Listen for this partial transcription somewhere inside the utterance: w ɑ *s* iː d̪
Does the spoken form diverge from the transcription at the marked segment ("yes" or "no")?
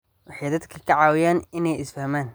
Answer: yes